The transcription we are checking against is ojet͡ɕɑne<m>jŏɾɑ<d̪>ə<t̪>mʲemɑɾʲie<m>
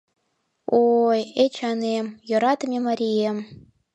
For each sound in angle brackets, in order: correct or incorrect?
correct, incorrect: t̪, incorrect: none, correct

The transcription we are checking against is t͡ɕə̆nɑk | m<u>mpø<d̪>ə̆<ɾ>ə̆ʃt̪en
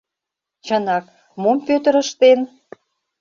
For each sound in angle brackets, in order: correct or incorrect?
incorrect: o, incorrect: t̪, correct

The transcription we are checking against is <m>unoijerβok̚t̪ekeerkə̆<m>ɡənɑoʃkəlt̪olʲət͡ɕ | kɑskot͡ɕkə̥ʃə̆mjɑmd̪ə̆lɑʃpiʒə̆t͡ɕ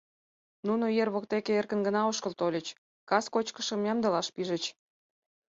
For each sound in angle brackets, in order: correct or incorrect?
incorrect: n, incorrect: n

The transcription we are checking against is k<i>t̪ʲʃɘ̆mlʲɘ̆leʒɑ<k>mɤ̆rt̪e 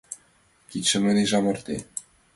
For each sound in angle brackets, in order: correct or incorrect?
correct, incorrect: none

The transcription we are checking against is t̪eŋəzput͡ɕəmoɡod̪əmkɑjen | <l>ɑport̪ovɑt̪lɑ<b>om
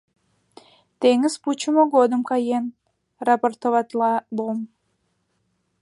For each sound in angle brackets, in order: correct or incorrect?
incorrect: r, correct

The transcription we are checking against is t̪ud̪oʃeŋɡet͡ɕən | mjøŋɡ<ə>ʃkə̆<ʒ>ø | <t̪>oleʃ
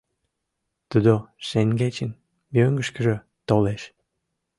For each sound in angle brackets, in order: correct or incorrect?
correct, correct, correct

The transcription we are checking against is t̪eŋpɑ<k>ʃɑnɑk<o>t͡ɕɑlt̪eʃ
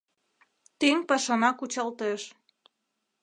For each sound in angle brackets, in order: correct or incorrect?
incorrect: none, incorrect: u

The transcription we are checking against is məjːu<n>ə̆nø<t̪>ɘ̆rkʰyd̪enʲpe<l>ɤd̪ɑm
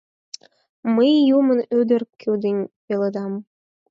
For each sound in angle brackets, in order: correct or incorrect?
incorrect: m, incorrect: d̪, correct

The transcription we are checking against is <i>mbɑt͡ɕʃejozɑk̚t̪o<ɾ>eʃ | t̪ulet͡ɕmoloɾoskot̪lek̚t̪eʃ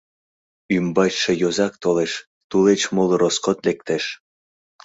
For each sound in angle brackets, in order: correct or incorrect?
incorrect: y, incorrect: l

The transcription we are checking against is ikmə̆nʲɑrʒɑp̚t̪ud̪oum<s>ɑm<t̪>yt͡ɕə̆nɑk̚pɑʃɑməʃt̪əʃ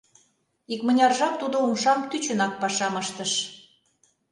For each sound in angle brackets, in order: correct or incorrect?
incorrect: ʃ, correct

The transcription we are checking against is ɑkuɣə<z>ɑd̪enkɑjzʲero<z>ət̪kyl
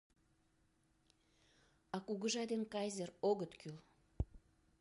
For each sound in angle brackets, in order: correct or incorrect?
incorrect: ʒ, incorrect: ɣ

